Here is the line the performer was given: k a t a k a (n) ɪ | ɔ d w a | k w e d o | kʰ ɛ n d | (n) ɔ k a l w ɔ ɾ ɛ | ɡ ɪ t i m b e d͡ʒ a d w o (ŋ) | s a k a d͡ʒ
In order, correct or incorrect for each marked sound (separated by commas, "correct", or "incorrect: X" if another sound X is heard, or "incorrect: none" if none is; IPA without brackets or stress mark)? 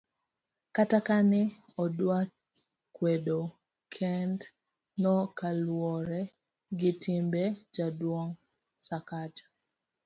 correct, correct, correct